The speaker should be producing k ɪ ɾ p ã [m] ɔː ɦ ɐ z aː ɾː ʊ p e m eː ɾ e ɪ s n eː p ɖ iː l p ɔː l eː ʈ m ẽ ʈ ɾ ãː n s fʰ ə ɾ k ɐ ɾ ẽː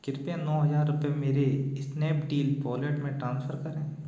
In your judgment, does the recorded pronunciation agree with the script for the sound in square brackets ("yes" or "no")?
no